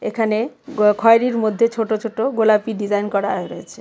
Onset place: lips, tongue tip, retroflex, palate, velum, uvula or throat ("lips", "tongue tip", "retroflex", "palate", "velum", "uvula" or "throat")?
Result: velum